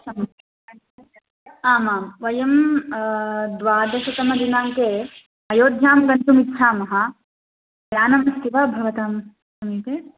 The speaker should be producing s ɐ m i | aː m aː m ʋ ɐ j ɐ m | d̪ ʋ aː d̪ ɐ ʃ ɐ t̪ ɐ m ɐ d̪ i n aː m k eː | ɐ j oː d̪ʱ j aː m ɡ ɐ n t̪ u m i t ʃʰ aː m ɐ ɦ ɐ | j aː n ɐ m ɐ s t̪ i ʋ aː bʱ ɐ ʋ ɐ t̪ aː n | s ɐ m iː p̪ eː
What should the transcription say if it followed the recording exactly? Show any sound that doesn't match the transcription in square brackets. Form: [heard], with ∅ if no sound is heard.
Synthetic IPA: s ɐ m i | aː m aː m ʋ ɐ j ɐ m | d̪ ʋ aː d̪ ɐ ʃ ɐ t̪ ɐ m ɐ d̪ i n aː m k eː | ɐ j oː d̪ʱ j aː m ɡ ɐ n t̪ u m i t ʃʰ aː m ɐ ɦ ɐ | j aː n ɐ m ɐ s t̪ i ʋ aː bʱ ɐ ʋ ɐ t̪ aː [m] | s ɐ m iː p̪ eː